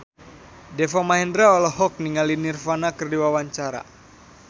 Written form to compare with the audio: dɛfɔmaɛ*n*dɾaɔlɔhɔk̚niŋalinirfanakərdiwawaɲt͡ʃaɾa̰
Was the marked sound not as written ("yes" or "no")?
no